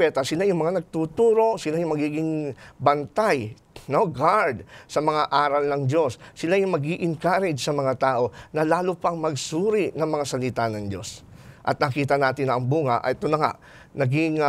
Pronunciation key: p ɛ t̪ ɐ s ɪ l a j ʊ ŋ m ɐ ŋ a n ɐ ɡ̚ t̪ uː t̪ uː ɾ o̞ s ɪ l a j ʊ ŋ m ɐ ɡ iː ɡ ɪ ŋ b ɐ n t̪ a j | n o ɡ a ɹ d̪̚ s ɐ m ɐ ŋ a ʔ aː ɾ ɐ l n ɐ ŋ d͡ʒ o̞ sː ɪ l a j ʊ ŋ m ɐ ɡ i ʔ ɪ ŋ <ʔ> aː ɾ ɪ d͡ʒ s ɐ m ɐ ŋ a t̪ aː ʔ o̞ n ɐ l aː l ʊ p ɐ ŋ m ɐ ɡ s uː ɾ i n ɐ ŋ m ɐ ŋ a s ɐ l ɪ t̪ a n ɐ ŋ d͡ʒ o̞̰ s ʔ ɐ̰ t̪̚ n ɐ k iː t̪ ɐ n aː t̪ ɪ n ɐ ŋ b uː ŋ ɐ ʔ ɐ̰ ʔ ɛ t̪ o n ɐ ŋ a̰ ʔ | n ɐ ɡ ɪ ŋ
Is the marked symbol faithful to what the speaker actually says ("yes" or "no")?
no